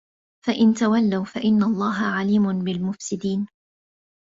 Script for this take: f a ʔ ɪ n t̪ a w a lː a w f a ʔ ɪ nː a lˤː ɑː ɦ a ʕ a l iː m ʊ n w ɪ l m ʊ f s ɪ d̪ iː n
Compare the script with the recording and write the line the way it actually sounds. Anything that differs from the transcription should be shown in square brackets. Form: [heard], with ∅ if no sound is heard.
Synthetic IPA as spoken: f a ʔ ɪ n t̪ a w a lː a w f a ʔ ɪ nː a lˤː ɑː ɦ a ʕ a l iː m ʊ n [b] ɪ l m ʊ f s ɪ d̪ iː n